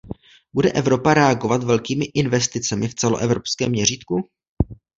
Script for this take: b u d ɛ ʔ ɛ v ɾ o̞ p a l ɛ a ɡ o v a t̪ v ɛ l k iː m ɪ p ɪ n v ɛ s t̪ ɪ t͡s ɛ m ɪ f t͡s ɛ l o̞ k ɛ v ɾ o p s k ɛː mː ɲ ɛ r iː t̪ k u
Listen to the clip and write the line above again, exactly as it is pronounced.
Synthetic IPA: b u d ɛ ʔ ɛ v ɾ o̞ p a ɾ ɛ a ɡ o v a t̪ v ɛ l k iː m ɪ ʔ ɪ n v ɛ s t̪ ɪ t͡s ɛ m ɪ f t͡s ɛ l o̞ ʔ ɛ v ɾ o p s k ɛː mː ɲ ɛ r iː t̪ k u

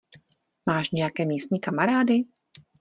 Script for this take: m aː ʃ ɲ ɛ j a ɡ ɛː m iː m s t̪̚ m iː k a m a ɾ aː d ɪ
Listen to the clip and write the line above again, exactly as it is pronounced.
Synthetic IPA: m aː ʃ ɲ ɛ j a k ɛː m iː s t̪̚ ɲ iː k a m a ɾ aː d ɪ

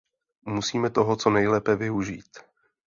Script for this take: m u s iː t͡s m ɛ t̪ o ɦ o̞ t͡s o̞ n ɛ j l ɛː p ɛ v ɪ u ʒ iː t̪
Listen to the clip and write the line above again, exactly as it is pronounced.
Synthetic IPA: m u s iː m ɛ t̪ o ɦ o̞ t͡s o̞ n ɛ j l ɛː p ɛ v ɪ u ʒ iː t̪

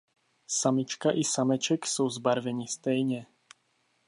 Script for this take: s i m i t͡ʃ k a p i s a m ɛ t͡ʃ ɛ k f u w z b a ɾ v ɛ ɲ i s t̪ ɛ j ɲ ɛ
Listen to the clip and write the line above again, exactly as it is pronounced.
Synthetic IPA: s a m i t͡ʃ k a ʔ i s a m ɛ t͡ʃ ɛ k s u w z b a ɾ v ɛ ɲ i s t̪ ɛ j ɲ ɛ

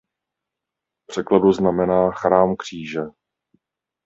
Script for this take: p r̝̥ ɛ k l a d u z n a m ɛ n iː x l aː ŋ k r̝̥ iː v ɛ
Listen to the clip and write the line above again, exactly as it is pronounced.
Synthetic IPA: p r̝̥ ɛ k l a d u z n a m ɛ n aː x ɾ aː m k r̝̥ iː ʒ ɛ

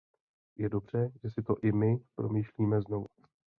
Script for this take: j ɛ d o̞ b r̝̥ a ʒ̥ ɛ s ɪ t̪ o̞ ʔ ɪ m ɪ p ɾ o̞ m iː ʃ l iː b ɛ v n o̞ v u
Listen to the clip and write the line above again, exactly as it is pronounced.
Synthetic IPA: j ɛ d o̞ b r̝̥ ɛ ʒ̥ ɛ s ɪ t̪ o̞ ʔ ɪ m ɪ p ɾ o̞ m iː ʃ l iː m ɛ z n o̞ v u

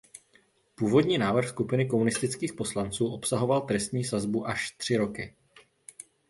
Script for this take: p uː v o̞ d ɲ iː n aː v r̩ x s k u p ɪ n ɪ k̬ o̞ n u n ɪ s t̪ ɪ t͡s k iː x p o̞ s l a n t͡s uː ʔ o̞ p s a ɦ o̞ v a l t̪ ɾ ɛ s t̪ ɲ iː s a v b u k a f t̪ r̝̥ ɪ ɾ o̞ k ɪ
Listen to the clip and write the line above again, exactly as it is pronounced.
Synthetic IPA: p uː v o̞ d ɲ iː n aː v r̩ x s k u p ɪ n ɪ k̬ o̞ m u n ɪ s t̪ ɪ t͡s k iː x p o̞ s l a n t͡s uː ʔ o̞ p s a ɦ o̞ v a l t̪ ɾ ɛ s t̪ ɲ iː s a z b u ʔ a ʃ t̪ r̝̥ ɪ ɾ o̞ k ɪ

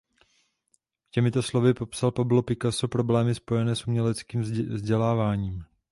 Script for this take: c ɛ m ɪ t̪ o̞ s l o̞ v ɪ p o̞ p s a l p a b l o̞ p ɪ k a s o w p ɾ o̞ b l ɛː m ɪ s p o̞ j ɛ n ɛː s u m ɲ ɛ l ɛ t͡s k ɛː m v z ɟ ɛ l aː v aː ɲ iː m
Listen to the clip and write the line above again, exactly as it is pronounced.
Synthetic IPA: c ɛ m ɪ t̪ o̞ s l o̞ v ɪ p o̞ p s a l p a b l o̞ p ɪ k a s o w p ɾ o̞ b l ɛː m ɪ s p o̞ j ɛ n ɛː s u m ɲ ɛ l ɛ t͡s k iː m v z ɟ ɛ l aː v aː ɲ iː m

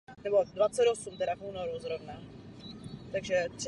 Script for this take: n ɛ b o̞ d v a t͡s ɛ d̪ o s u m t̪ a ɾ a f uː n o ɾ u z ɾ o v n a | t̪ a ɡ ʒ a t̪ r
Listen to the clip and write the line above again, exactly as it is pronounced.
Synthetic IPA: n ɛ b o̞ d v a t͡s ɛ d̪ o s u m t̪ ɛ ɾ a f uː n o ɾ u z ɾ o v n a | t̪ a ɡ ʒ ɛ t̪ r

